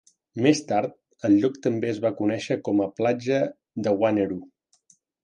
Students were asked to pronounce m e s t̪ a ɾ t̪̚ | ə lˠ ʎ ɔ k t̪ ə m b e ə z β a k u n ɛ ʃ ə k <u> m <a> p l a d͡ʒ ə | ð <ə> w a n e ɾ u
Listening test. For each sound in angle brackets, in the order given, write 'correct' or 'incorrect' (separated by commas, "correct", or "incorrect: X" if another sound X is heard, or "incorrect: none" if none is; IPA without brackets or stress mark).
incorrect: ɔ, incorrect: ə, correct